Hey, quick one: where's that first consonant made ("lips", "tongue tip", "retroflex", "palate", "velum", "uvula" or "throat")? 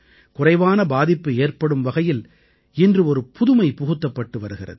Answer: velum